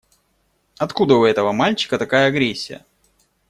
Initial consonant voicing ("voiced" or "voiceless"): voiceless